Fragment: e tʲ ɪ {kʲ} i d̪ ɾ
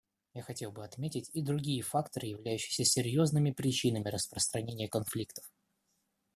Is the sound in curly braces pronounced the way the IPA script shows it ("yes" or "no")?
no